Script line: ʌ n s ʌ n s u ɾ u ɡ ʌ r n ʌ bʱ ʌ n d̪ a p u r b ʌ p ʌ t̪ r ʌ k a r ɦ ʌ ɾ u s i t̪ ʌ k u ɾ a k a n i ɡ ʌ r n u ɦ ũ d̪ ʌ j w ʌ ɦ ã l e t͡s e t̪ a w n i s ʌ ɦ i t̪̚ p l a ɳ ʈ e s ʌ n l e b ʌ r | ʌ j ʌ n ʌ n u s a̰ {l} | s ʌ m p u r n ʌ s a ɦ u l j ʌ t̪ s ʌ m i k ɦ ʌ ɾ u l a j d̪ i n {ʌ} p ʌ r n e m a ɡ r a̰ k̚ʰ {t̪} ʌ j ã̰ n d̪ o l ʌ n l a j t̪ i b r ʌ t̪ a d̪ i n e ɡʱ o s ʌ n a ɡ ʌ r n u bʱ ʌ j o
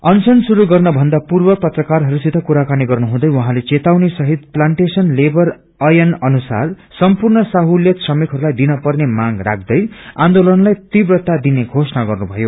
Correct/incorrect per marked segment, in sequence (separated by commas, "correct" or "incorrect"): incorrect, correct, incorrect